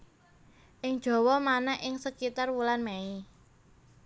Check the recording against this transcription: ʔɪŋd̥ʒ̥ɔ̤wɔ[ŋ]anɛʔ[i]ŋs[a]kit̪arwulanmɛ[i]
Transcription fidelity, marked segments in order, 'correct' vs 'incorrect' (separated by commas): incorrect, incorrect, incorrect, correct